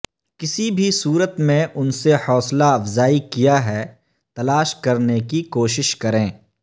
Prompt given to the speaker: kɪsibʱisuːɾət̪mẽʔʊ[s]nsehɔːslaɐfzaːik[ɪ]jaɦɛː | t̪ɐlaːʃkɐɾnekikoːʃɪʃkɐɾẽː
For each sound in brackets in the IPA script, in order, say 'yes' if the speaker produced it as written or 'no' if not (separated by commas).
no, no